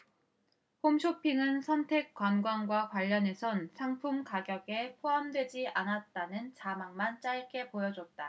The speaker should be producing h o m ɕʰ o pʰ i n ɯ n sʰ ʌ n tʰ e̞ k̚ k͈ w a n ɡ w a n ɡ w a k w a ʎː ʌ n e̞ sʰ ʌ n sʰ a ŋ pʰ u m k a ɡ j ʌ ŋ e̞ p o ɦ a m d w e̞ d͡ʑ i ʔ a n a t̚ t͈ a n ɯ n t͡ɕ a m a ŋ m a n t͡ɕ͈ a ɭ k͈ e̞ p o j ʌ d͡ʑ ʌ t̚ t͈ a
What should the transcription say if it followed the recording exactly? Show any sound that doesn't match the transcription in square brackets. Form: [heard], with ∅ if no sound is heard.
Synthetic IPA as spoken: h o m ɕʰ o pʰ i [ŋ] ɯ n sʰ ʌ n tʰ e̞ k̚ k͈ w a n ɡ w a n ɡ w a k w a ʎː ʌ n e̞ sʰ ʌ n sʰ a ŋ pʰ u m k a ɡ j ʌ [ɡ] e̞ [pʰ] o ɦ a m d w e̞ d͡ʑ i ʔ a n a t̚ t͈ a n ɯ n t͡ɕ a m a ŋ m a n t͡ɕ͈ a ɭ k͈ e̞ p o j ʌ d͡ʑ ʌ t̚ t͈ a